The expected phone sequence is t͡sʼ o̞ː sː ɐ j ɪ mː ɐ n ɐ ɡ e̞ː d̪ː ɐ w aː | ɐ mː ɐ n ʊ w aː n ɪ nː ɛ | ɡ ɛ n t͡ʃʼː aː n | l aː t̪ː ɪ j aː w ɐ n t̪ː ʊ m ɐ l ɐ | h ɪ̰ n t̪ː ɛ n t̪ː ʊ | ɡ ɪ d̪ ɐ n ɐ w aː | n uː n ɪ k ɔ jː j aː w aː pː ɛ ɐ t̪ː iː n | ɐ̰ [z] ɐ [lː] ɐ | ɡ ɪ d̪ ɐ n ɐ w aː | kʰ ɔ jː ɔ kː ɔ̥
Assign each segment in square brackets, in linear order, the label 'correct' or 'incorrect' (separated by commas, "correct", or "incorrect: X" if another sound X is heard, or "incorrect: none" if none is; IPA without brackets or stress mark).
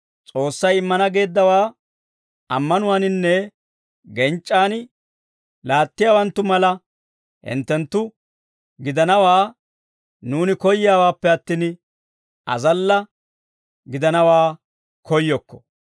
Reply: correct, correct